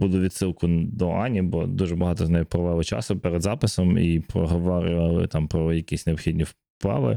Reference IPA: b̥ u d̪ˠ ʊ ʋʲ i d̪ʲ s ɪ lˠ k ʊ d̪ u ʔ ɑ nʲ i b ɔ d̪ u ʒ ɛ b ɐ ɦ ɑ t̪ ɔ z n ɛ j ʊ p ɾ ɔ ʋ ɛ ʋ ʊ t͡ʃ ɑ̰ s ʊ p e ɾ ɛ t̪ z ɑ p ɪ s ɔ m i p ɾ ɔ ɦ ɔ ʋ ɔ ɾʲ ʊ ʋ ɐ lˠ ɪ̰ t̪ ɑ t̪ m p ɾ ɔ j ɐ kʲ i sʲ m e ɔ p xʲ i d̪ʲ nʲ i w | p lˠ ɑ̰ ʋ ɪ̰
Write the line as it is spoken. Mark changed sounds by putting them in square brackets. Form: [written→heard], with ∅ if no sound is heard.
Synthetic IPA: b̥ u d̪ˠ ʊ ʋʲ i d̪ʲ s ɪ lˠ k ʊ d̪ [u→ɔ] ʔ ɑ nʲ i b ɔ d̪ u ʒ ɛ b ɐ ɦ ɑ t̪ ɔ z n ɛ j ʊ p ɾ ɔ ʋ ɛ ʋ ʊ t͡ʃ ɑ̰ s ʊ p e ɾ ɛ [t̪→d̪] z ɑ p ɪ s ɔ m i p ɾ ɔ ɦ ɔ ʋ ɔ ɾʲ ʊ ʋ ɐ lˠ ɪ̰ t̪ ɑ [t̪→∅] m p ɾ ɔ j ɐ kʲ i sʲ [m→n] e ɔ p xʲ i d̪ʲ nʲ i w | p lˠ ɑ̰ ʋ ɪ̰